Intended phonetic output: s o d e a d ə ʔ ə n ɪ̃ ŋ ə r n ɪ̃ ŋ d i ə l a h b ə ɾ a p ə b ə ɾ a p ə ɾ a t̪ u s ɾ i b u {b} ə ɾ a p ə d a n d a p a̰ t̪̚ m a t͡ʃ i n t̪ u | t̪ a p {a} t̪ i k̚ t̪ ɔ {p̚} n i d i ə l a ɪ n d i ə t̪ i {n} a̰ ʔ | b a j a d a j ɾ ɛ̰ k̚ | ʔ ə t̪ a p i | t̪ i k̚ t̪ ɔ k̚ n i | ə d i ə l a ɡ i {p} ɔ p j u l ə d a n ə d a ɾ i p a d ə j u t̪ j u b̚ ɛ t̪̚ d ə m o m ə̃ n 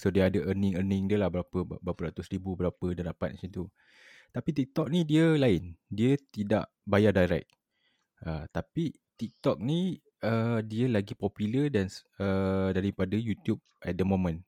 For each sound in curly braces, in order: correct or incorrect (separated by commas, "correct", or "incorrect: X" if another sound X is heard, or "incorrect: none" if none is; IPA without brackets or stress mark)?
correct, incorrect: i, incorrect: k̚, incorrect: d, correct